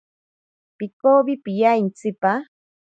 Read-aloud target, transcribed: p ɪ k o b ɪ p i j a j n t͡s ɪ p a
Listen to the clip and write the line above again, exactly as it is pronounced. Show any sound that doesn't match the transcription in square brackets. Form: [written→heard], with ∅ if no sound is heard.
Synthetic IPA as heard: p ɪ k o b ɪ p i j a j n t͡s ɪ p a